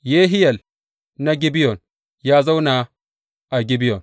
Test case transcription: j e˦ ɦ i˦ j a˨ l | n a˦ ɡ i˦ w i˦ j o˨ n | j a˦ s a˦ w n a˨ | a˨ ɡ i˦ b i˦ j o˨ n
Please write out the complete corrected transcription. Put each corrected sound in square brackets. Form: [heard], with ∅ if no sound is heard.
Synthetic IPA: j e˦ ɦ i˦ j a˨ l | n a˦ ɡ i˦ [b] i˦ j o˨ n | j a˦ [z] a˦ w n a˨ | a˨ ɡ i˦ b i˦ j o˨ n